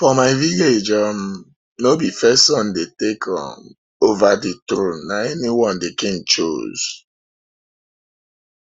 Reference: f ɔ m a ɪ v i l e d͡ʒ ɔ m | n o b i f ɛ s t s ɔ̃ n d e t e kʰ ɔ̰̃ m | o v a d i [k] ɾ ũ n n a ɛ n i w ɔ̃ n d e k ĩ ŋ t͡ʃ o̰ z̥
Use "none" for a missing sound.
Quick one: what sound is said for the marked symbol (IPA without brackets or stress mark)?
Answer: t